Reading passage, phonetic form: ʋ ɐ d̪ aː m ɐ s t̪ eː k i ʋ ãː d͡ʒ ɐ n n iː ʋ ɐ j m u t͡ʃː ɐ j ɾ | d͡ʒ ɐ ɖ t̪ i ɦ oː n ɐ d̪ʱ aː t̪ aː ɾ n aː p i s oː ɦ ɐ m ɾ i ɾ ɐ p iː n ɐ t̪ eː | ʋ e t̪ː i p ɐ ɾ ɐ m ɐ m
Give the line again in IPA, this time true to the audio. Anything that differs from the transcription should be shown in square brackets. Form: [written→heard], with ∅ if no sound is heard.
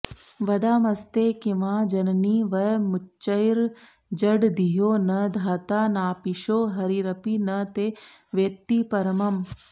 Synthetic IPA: ʋ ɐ d̪ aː m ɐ s t̪ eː k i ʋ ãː d͡ʒ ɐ n n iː ʋ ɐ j m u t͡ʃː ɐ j ɾ | d͡ʒ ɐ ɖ [t̪→d̪] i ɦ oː n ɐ d̪ʱ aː t̪ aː [ɾ→∅] n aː p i [s→ʃ] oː ɦ ɐ [m→∅] ɾ i ɾ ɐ p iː n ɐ t̪ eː | ʋ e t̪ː i p ɐ ɾ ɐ m ɐ m